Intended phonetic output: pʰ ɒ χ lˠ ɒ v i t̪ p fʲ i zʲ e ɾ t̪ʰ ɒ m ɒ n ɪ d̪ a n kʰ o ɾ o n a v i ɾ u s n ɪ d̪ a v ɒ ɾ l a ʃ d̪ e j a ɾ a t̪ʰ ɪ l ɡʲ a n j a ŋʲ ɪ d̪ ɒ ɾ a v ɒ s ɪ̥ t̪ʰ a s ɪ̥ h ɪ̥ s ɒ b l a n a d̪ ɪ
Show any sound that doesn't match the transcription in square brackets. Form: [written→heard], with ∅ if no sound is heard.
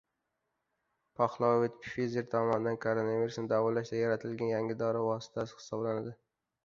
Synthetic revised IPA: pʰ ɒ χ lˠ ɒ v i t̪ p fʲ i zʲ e ɾ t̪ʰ ɒ m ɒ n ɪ d̪ a n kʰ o ɾ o n a v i ɾ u s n ɪ d̪ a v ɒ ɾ l a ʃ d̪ [e→a] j a ɾ a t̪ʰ ɪ l ɡʲ a n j a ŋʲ ɪ d̪ ɒ ɾ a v ɒ s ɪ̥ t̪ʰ a s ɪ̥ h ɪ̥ s ɒ b l a n a d̪ ɪ